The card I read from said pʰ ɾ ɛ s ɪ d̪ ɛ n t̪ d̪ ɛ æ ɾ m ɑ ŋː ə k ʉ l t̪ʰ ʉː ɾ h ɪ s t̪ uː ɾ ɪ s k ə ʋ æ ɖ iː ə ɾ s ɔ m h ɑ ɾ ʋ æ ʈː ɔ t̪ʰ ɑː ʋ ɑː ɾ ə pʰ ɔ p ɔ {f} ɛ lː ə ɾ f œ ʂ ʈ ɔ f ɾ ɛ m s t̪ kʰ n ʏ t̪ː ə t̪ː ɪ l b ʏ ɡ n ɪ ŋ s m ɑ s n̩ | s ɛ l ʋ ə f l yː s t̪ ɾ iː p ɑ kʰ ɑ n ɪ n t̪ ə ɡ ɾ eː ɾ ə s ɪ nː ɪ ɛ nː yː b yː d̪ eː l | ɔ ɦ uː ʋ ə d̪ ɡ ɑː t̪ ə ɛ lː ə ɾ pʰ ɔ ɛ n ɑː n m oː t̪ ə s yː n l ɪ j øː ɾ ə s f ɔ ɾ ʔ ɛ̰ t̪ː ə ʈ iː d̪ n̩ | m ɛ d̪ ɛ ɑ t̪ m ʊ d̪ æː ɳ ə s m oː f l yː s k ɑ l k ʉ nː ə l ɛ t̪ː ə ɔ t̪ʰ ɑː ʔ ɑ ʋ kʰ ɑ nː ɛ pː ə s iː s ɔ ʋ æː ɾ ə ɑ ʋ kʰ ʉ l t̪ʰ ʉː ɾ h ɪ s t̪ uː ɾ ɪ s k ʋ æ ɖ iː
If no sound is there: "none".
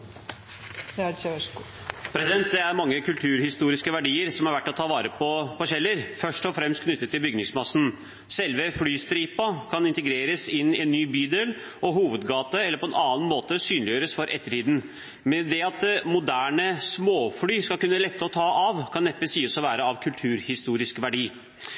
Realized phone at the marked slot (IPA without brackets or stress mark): ɕ